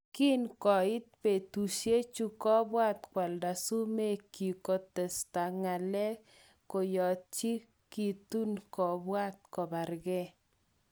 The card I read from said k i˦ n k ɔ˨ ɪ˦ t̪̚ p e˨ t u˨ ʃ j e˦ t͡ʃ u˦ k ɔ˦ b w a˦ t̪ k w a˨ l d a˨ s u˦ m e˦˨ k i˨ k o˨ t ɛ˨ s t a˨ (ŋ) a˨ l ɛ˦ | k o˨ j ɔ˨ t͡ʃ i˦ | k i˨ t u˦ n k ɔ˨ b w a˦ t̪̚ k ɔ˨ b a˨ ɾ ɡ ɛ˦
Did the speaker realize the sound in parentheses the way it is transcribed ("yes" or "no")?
yes